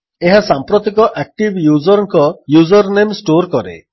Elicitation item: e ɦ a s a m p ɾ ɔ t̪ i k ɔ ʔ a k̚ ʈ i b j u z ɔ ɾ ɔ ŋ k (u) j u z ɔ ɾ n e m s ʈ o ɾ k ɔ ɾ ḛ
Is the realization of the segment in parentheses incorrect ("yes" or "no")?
yes